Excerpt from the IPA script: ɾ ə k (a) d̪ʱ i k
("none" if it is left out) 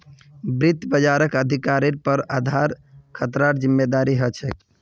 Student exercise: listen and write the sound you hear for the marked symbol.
ə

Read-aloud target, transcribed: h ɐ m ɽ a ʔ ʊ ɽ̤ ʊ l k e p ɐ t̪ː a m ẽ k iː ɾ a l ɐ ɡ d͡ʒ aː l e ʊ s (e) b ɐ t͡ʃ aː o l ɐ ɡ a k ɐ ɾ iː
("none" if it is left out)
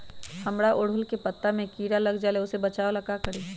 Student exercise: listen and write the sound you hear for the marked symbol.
e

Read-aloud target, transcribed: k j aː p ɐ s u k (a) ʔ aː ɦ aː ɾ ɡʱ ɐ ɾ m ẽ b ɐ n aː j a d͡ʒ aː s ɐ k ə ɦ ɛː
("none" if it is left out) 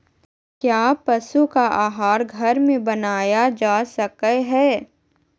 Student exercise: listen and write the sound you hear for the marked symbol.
a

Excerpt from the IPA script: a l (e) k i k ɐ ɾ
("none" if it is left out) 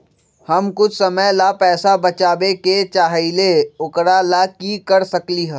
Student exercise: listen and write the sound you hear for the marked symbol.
a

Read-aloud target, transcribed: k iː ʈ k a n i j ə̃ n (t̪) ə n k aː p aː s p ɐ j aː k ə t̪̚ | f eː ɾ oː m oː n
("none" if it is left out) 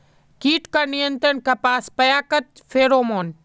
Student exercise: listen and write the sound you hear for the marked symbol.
t̪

